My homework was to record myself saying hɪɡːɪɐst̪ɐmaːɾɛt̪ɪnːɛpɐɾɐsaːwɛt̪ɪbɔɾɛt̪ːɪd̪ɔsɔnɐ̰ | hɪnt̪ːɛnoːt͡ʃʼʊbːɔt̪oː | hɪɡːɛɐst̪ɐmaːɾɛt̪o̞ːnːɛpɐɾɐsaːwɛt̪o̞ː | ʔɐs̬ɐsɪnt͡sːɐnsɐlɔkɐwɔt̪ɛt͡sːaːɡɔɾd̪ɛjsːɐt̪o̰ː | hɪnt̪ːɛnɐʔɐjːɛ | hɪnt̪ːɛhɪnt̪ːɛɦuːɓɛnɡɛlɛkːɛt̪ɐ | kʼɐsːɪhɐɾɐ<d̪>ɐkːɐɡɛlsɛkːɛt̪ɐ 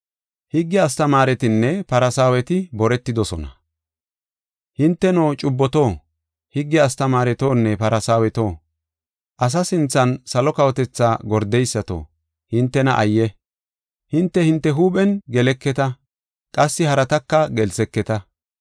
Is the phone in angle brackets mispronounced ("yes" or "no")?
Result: yes